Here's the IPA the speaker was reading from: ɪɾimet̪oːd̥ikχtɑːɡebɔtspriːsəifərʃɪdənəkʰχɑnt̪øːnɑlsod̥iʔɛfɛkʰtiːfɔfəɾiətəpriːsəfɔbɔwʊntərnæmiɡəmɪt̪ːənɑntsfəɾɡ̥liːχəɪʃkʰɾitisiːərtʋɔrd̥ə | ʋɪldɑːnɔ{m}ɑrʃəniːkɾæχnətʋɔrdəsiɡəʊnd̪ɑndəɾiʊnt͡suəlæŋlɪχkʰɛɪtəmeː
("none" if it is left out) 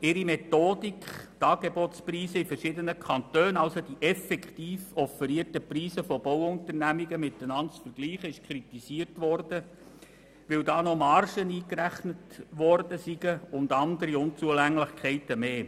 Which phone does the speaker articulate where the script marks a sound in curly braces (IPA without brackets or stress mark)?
m